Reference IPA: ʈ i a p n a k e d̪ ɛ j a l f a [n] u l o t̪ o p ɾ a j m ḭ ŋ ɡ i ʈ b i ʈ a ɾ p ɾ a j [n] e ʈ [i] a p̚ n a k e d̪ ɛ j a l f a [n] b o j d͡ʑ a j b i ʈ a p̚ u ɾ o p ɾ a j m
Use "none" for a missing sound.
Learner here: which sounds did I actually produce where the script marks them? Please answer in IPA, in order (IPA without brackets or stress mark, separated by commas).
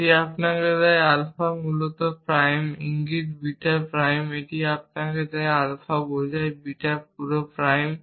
m, m, i, none